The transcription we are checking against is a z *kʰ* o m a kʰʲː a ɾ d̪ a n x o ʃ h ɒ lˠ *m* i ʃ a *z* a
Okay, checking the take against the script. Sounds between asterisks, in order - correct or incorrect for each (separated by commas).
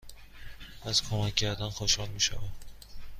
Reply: correct, correct, incorrect